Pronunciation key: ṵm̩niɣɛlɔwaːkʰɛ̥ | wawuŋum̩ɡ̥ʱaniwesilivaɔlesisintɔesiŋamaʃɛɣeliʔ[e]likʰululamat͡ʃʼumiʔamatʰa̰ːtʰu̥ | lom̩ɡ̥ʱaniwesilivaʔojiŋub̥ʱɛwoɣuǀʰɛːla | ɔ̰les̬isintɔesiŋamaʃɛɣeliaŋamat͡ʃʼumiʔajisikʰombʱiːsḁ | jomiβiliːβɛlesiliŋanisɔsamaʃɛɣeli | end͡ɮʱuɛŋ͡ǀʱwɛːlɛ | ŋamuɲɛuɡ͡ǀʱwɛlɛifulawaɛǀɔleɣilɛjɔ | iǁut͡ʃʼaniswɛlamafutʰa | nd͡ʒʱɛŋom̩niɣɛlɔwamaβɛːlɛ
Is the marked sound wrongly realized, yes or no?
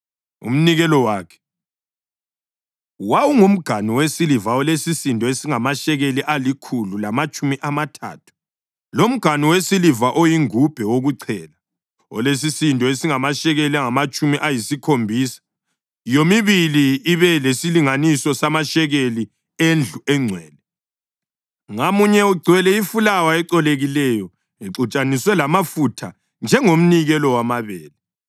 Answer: yes